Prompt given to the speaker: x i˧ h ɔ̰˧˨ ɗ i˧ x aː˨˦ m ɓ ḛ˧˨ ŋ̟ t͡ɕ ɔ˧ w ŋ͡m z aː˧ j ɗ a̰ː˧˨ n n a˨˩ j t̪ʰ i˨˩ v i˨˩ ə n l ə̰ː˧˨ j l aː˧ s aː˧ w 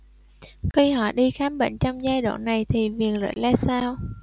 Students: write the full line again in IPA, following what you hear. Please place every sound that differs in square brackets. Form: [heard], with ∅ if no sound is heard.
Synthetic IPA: x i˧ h ɔ̰˧˨ ɗ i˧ x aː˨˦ m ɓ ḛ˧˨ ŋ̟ t͡ɕ ɔ˧ w ŋ͡m z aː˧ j ɗ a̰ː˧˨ n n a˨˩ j t̪ʰ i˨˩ v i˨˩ ə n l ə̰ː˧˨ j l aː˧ s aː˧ w